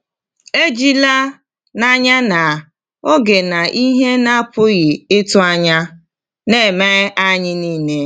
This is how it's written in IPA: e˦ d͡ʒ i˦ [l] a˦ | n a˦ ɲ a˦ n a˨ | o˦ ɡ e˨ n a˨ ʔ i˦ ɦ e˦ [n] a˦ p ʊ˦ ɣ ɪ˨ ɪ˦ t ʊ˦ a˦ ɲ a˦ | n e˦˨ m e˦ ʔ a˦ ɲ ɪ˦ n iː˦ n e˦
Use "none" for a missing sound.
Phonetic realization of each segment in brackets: l, n

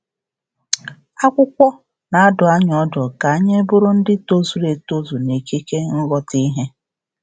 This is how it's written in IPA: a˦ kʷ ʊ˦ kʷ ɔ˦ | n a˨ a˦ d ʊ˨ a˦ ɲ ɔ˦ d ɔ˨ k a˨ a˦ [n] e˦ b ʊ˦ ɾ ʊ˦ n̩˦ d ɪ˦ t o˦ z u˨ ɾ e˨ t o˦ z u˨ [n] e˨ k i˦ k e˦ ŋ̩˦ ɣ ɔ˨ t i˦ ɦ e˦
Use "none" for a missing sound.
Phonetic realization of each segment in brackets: ɲ, n

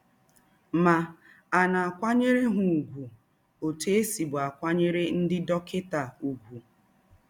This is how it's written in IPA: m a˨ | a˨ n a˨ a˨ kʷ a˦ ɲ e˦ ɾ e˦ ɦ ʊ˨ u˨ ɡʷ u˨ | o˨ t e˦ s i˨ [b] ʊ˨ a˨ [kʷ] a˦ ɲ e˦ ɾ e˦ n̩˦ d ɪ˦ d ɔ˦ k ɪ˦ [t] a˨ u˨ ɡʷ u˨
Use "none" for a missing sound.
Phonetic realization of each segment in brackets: b, kʷ, t

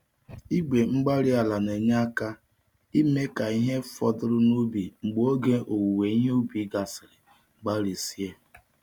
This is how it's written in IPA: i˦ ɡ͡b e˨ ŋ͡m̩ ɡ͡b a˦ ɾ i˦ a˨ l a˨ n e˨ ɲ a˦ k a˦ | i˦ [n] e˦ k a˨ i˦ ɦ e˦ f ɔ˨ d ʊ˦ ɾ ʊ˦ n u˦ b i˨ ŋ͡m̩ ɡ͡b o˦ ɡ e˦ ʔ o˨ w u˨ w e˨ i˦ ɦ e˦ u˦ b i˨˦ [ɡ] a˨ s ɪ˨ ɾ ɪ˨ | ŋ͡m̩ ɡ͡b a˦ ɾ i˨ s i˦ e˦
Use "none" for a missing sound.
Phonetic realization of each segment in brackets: m, ɡ

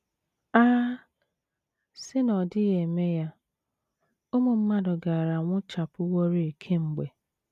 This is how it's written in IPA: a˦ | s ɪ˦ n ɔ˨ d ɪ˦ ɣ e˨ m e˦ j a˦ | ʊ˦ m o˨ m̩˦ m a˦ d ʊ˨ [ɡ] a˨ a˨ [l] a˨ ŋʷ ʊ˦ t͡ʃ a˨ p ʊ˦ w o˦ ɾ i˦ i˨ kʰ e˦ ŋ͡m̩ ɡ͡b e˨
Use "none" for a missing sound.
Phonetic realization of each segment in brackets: ɡ, ɾ

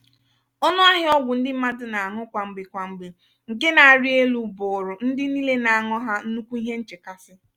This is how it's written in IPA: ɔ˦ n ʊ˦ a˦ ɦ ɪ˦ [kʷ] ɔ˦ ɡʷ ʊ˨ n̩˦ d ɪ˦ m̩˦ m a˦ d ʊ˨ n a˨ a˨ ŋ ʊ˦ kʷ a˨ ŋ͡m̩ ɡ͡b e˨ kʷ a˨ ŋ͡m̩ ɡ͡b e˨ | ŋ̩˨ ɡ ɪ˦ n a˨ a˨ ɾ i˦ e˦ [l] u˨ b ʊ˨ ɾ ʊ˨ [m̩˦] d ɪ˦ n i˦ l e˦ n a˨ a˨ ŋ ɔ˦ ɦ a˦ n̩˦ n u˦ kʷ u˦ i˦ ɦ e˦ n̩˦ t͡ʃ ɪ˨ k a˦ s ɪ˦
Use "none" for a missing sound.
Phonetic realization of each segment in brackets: none, l, n̩˦

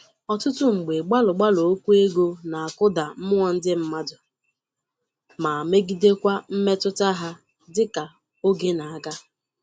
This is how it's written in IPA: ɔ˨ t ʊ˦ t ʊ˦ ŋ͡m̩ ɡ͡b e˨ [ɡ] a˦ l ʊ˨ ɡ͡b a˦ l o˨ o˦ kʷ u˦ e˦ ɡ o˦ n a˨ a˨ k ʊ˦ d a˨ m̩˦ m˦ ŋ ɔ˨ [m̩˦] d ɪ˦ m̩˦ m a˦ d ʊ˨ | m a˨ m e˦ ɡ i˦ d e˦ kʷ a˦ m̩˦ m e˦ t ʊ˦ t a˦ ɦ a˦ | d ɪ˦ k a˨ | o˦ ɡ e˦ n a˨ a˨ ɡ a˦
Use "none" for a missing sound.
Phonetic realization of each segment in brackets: ɡ͡b, n̩˦

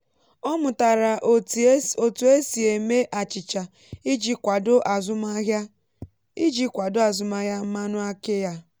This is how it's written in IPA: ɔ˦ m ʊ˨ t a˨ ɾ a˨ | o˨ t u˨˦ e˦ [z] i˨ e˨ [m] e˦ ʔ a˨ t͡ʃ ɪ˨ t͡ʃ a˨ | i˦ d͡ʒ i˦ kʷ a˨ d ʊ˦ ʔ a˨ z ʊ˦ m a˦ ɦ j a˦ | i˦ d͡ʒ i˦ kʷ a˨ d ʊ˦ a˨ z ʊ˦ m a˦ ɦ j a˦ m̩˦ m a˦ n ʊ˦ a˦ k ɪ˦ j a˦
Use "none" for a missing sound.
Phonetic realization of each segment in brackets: s, m

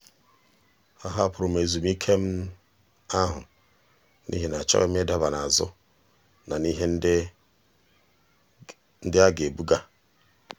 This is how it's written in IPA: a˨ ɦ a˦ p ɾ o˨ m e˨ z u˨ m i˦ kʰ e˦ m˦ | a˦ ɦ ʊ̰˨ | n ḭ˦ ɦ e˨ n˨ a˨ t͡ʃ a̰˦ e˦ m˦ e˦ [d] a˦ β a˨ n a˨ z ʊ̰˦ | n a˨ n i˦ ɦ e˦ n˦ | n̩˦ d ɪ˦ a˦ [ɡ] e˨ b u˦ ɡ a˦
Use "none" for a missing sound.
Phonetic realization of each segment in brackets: d, ɡ

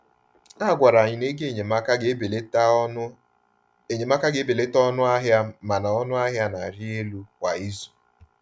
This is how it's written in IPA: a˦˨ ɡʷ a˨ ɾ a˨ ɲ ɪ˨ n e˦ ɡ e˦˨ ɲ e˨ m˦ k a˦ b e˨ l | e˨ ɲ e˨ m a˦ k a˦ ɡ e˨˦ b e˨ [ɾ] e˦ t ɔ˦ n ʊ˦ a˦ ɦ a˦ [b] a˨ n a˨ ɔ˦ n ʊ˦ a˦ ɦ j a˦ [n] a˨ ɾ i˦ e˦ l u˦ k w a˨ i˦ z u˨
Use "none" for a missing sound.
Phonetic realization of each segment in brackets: l, m, n

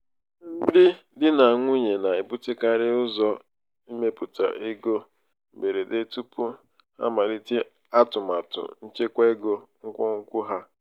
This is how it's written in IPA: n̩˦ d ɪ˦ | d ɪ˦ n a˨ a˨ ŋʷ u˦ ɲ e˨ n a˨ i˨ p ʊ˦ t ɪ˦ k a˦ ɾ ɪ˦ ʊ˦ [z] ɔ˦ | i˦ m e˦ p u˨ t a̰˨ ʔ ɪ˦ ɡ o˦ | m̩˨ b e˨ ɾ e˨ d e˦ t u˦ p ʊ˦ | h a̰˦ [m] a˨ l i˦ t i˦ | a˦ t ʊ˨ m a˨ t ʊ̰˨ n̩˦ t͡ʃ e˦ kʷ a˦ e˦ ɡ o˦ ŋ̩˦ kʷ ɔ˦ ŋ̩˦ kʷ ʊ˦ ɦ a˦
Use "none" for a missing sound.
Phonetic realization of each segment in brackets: z, m

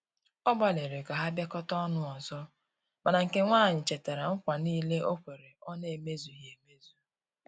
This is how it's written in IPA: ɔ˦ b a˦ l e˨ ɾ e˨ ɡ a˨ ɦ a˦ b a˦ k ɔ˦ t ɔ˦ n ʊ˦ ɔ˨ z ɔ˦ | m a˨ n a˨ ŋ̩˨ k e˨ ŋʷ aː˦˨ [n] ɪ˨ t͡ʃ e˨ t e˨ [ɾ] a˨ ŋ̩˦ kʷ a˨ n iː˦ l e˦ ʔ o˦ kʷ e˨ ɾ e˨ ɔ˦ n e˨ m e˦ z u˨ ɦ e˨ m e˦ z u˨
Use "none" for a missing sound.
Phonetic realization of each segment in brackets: ɲ, ɾ

